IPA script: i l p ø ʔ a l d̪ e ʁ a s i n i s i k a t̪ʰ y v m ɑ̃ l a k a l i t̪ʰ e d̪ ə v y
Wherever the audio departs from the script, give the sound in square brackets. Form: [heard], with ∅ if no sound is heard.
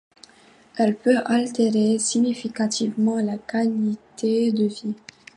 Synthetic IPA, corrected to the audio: [ɛ] l p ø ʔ a l [t̪] e ʁ [e] s i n i [f] i k a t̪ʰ [i] v m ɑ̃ l a k a l i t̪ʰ e d̪ ə v [i]